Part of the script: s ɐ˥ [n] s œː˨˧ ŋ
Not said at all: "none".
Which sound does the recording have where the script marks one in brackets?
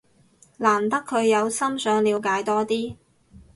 m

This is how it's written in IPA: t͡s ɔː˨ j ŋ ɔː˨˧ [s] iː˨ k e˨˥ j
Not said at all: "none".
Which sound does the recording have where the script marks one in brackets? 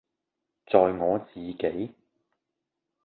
t͡s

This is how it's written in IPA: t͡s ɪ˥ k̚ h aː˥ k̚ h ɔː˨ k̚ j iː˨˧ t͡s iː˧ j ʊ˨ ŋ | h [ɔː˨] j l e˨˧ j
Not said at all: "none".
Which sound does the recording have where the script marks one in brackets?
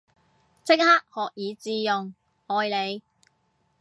ɔː˨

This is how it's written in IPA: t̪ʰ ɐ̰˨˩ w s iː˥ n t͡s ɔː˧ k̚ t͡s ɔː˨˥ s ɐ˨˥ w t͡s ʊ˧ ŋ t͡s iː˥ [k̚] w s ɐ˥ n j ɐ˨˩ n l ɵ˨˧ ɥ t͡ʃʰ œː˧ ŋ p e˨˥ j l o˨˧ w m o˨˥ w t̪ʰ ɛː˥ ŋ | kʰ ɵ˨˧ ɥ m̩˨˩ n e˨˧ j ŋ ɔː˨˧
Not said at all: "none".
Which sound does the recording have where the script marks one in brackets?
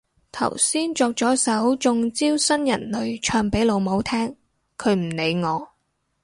none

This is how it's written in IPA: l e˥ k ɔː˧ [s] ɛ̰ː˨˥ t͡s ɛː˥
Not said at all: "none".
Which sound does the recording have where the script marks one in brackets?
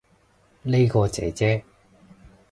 t͡s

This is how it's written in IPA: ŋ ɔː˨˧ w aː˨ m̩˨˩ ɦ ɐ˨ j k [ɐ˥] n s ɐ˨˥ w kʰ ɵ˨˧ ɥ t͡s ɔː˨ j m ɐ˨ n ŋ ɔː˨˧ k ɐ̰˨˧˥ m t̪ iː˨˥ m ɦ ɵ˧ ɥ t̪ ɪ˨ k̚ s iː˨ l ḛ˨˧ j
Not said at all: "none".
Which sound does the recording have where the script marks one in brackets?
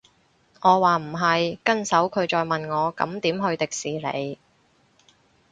ɐ˥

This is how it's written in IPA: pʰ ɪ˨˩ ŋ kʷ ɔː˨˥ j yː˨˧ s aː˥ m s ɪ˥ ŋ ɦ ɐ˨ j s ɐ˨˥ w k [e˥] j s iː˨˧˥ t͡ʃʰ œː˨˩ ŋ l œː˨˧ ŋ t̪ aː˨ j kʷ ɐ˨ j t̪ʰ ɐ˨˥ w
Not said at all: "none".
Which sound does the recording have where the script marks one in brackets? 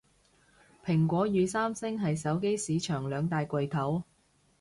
e˥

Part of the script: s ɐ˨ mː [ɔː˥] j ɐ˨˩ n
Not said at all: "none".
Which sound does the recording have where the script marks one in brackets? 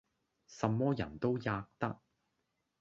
ɔː˥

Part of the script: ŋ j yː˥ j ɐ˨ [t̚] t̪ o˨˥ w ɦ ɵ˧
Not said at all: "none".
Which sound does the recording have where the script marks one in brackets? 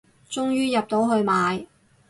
p̚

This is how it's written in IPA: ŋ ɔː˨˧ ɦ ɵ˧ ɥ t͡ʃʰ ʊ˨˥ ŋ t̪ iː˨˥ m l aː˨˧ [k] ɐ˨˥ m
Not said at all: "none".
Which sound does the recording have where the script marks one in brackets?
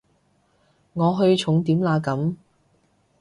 k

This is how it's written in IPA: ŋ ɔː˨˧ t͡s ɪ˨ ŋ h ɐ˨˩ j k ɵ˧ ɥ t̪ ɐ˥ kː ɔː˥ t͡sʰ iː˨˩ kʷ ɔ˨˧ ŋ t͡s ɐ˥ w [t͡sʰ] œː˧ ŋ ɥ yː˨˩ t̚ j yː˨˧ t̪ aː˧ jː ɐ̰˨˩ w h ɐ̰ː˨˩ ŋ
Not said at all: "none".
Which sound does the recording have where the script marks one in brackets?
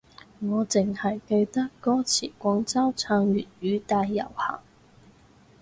t͡sʰ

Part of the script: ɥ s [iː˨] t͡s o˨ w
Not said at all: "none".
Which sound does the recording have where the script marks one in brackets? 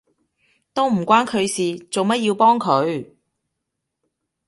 iː˨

